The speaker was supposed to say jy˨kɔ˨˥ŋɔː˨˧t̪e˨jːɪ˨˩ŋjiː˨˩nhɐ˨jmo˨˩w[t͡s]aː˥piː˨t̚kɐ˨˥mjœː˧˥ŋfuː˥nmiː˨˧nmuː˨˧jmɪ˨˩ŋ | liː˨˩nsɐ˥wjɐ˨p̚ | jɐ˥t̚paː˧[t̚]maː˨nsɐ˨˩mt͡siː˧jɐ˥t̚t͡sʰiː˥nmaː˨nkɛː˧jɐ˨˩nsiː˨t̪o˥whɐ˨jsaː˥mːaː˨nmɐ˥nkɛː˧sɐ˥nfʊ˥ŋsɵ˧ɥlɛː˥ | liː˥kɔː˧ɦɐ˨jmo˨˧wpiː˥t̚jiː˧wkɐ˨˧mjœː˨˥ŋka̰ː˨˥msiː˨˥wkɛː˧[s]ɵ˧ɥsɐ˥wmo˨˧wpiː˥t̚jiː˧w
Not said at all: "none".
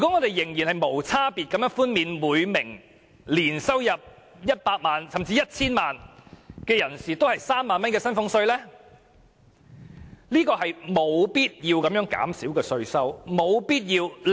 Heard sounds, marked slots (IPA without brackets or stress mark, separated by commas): t͡sʰ, k̚, s